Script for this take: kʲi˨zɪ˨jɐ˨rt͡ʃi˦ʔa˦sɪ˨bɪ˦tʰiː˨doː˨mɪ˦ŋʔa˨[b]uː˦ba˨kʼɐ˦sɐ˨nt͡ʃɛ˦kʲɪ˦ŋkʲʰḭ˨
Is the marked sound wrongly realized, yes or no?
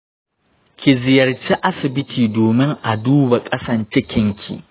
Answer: yes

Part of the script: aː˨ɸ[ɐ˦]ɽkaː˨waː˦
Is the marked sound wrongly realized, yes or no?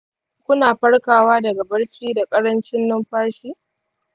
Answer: no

